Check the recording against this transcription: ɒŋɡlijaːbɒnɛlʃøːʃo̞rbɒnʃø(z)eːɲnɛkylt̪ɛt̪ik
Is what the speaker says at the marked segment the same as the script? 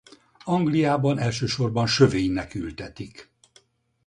no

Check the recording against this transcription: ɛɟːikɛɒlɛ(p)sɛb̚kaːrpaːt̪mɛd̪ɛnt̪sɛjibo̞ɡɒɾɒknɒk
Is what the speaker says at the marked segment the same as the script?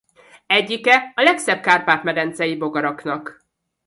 no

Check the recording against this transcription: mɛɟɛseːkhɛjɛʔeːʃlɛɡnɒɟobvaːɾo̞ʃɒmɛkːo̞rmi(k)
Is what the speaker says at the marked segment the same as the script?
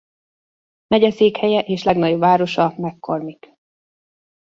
yes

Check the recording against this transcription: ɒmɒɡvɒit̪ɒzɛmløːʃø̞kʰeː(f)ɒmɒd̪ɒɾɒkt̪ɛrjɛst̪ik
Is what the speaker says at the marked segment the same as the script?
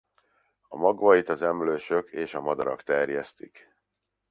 no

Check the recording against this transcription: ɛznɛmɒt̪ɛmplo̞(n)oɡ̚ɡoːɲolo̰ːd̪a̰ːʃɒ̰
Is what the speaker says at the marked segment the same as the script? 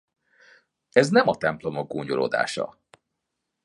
no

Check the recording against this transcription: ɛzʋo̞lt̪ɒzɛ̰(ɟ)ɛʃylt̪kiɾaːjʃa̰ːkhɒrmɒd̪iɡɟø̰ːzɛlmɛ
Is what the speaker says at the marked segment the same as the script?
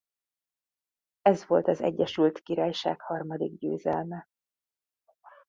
no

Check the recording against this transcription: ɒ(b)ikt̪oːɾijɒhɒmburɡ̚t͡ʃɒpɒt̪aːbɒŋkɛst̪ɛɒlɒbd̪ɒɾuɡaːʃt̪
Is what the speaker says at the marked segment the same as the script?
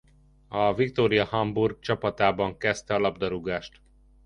no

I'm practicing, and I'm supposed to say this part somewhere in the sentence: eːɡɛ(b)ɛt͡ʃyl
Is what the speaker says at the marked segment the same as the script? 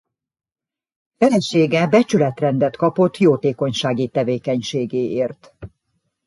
yes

